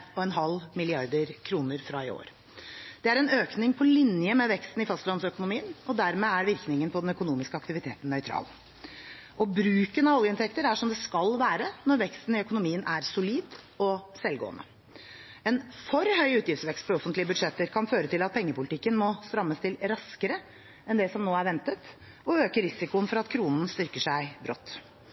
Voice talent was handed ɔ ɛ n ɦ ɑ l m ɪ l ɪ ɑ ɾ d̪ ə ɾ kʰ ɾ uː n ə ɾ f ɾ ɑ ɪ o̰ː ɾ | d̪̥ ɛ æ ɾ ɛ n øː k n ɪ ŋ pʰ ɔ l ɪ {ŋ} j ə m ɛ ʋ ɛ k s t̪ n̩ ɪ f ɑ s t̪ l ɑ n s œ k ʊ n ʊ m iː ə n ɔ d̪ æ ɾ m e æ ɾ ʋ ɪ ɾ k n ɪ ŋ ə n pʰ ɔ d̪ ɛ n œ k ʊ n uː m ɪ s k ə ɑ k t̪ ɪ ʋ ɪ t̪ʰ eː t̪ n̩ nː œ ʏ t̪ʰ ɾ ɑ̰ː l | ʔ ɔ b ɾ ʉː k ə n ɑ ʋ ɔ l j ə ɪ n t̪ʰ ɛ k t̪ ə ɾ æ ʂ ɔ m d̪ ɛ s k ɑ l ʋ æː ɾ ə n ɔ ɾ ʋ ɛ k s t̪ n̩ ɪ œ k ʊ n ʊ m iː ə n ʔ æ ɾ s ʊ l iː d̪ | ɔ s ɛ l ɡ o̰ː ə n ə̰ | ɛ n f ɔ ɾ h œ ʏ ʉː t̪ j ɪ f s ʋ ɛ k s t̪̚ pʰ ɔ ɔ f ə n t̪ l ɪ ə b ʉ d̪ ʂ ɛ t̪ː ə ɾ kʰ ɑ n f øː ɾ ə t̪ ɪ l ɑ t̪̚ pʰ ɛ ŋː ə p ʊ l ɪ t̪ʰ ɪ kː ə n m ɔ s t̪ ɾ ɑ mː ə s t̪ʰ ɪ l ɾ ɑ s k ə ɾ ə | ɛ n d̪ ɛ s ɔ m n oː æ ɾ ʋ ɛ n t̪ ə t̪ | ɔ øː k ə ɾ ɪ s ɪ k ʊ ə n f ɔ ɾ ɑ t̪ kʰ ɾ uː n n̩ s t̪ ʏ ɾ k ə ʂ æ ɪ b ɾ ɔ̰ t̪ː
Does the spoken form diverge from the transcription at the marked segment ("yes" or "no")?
yes